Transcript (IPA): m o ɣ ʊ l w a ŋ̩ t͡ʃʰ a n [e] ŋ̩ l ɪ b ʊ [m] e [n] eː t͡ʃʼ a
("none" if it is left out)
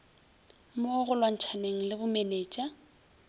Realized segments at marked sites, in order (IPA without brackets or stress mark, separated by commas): e, m, n